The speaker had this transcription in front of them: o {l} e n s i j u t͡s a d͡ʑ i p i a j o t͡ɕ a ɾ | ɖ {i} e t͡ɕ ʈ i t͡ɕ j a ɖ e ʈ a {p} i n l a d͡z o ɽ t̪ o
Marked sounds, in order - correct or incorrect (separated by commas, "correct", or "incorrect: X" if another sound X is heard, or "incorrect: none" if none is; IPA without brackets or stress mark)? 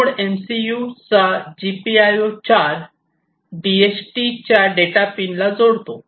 incorrect: ɽ, correct, correct